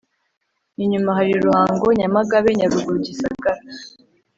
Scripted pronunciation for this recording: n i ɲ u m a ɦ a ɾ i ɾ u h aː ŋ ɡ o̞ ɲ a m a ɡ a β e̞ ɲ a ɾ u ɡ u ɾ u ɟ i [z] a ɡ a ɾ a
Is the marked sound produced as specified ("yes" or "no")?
no